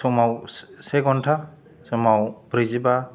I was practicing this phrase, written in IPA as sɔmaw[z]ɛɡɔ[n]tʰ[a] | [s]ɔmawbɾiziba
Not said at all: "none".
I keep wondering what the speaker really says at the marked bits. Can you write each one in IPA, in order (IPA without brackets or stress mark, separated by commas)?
s, n, a, s